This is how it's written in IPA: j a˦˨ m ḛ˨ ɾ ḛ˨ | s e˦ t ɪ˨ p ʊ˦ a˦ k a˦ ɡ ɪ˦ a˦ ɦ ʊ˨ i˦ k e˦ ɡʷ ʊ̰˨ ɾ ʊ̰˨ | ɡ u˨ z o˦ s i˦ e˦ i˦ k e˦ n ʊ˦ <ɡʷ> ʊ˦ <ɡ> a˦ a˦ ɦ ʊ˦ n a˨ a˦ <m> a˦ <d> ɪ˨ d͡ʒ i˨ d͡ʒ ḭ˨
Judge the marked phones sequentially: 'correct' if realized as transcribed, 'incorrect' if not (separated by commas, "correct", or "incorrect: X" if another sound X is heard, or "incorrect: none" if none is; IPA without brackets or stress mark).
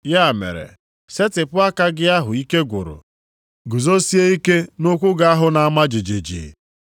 incorrect: kʷ, correct, correct, incorrect: d͡ʒ